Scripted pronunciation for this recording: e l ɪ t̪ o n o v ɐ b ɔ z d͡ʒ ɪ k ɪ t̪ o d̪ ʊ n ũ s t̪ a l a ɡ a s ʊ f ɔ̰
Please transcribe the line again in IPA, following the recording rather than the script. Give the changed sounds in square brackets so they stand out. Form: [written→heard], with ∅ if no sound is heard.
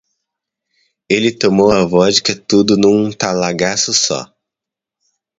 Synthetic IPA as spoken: e l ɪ t̪ o [n→m] o [v→w] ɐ [b→v] ɔ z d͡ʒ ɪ k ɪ t̪ [o→u] d̪ ʊ n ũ [s→∅] t̪ a l a ɡ a s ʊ [f→s] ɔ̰